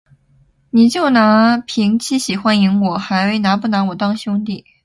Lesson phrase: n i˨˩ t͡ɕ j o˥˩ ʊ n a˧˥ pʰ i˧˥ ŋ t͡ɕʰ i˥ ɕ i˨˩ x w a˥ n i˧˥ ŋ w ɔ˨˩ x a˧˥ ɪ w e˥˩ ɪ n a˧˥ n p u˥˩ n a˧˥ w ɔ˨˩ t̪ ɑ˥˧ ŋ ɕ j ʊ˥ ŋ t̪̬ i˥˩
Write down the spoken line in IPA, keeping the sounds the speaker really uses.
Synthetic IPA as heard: n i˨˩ t͡ɕ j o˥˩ ʊ n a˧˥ pʰ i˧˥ ŋ t͡ɕʰ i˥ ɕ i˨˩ x w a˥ n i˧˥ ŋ w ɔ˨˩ x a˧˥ ɪ w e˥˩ ɪ n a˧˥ p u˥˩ n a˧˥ w ɔ˨˩ t̪ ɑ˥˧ ŋ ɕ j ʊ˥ ŋ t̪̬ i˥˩